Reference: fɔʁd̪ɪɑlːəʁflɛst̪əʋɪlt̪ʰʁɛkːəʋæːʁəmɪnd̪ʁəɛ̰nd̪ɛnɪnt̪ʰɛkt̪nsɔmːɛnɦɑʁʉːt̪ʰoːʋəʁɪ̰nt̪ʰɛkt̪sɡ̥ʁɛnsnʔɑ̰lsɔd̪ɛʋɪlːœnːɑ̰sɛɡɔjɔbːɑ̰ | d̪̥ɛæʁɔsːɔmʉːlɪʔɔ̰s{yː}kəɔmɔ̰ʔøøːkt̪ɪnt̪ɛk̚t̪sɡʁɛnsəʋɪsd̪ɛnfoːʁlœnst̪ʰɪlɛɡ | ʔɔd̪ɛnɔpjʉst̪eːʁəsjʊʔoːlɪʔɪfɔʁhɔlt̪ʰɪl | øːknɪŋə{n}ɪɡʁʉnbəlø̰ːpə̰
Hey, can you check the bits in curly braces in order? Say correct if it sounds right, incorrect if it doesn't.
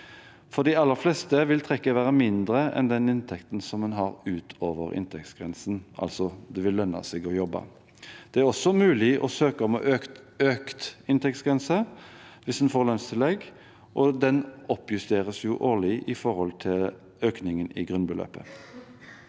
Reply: incorrect, correct

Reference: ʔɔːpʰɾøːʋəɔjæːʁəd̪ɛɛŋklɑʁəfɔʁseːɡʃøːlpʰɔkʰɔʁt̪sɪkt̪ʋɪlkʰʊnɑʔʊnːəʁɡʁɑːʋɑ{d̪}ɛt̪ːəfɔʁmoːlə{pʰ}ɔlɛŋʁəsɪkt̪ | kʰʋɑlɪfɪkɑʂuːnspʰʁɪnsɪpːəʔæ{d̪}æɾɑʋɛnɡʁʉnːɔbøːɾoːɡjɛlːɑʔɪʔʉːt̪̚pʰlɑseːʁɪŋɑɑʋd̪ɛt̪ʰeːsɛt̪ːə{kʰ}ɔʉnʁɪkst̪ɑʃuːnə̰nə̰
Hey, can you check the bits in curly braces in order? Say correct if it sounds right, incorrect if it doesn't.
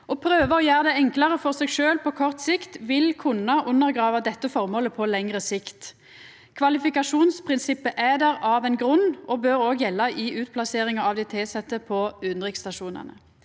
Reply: correct, correct, correct, incorrect

